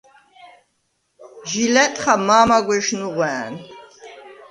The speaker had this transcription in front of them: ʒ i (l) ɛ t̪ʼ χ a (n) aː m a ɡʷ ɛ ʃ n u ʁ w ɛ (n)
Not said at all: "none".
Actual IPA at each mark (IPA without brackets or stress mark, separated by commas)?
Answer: l, m, n